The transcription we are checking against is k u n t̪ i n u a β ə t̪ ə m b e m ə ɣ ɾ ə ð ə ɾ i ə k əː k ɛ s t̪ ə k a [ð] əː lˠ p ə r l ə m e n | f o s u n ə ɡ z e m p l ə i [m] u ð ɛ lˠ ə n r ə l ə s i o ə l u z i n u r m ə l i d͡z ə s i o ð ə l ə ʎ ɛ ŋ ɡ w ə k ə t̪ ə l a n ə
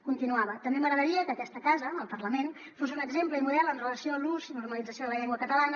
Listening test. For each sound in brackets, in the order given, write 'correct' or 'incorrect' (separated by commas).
incorrect, correct